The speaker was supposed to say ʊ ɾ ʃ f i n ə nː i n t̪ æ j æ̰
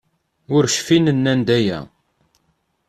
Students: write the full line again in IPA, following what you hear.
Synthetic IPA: ʊ ɾ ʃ f i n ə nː æ n d̪ æ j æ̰

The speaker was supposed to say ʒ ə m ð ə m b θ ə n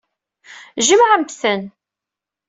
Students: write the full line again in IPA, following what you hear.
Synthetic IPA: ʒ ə m ʕ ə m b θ ə n

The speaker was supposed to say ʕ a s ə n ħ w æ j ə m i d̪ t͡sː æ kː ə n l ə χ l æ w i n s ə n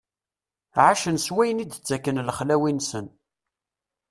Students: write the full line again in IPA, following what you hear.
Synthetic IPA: ʕ a ʃ ə n s w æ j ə n i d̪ t͡sː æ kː ə n l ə χ l æ w i n s ə n

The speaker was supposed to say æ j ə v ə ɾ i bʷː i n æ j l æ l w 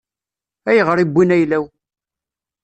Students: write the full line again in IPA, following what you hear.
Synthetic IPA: æ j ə ʁ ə ɾ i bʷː i n æ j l æ w

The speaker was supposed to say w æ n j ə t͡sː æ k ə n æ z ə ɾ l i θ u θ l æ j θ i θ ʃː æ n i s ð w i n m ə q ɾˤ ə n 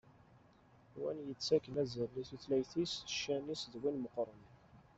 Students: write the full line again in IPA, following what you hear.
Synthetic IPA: w æ n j ə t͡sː æ k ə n æ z ə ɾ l i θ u θ l æ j θ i s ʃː æ n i s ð w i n m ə q ɾˤ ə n

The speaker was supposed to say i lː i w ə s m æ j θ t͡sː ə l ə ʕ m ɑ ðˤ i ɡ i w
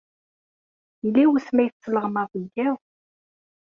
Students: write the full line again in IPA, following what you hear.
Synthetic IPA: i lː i w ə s m æ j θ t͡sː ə l ə ʁ m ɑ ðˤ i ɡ æ w

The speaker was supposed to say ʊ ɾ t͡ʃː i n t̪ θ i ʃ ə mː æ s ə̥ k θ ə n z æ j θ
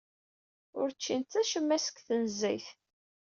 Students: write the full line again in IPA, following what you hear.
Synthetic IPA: ʊ ɾ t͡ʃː i n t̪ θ æ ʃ ə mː æ s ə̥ k θ ə n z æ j θ

